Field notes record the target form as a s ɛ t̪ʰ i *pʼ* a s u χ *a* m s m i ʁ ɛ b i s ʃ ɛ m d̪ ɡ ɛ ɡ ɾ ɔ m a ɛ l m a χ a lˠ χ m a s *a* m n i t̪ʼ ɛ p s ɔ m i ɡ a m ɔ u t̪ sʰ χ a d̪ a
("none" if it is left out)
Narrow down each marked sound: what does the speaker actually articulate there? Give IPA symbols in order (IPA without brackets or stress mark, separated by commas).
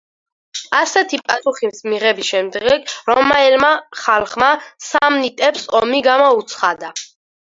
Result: pʼ, i, a